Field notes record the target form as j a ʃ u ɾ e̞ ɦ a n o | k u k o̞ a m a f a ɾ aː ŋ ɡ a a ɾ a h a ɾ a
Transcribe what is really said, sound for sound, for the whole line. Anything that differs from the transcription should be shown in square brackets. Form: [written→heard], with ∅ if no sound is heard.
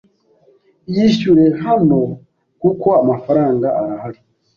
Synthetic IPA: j [a→i] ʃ u ɾ e̞ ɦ a n o | k u k o̞ a m a f a ɾ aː ŋ ɡ a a ɾ a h a ɾ [a→i]